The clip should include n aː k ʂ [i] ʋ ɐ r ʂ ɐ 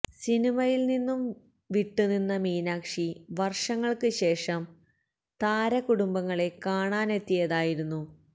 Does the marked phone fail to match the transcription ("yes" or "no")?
no